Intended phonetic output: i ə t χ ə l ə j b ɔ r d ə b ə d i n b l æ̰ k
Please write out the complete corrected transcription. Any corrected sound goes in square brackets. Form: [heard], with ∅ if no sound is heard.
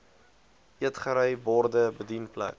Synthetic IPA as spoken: i ə t χ ə [ɾ] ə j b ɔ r d ə b ə d i n [p] l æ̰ k